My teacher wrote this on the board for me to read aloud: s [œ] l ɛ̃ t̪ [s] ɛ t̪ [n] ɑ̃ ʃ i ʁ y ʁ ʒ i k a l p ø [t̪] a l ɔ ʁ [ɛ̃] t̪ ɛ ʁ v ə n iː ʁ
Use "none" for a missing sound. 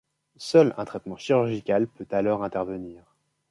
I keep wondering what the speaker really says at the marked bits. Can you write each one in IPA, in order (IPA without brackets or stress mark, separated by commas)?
œ, χ, m, t̪, ɛ̃